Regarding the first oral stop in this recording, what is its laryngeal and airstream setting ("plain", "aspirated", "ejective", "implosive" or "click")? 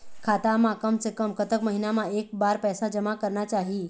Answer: aspirated